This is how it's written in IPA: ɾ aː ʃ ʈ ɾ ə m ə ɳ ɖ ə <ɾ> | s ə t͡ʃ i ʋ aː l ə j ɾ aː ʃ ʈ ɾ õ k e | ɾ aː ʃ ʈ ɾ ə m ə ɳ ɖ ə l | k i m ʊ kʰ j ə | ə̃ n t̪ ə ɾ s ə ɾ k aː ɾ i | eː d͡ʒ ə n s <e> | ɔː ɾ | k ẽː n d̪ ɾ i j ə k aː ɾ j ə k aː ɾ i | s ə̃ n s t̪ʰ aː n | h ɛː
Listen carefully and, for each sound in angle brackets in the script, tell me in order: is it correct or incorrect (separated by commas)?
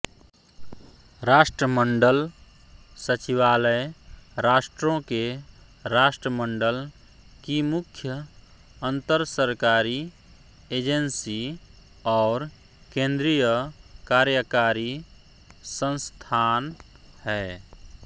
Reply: incorrect, incorrect